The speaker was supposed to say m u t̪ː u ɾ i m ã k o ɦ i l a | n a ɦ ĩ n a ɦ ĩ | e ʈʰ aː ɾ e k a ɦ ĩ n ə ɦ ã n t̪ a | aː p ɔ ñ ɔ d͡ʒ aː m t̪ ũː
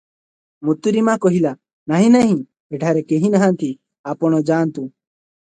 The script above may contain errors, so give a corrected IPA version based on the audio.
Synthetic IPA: m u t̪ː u ɾ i m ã k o ɦ i l a | n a ɦ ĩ n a ɦ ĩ | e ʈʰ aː ɾ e k e ɦ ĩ n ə ɦ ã n t̪ i | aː p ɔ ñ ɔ d͡ʒ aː n t̪ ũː